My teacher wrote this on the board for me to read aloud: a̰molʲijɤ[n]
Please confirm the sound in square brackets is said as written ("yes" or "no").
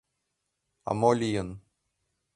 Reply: yes